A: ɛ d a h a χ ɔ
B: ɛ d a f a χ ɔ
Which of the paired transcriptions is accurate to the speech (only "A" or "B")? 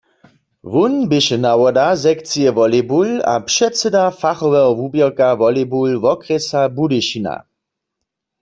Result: B